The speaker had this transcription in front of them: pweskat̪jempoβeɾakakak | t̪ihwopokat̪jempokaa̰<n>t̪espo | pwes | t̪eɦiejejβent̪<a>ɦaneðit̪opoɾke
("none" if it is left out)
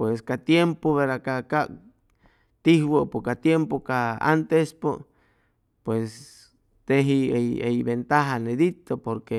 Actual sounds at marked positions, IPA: n, a

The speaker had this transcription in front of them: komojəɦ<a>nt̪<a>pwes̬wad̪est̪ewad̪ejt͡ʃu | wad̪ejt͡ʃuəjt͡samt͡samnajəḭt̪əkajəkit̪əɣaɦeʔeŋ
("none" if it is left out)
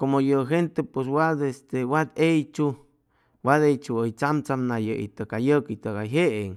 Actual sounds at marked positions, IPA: e, e

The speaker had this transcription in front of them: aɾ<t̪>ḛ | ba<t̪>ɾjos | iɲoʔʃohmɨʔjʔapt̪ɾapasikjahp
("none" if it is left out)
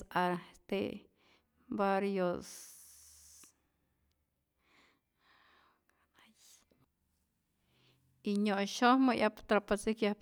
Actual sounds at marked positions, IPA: t̪, none

